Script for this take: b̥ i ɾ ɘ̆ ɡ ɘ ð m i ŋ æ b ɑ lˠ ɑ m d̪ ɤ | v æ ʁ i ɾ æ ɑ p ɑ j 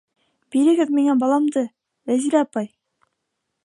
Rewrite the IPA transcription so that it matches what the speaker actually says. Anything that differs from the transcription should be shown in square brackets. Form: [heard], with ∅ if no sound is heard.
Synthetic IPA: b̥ i ɾ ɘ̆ ɡ ɘ ð m i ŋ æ b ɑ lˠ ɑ m d̪ ɤ | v æ [z] i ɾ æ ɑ p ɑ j